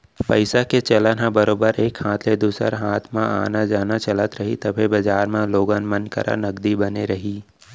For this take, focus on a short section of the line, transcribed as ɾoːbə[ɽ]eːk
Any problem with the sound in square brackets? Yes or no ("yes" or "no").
yes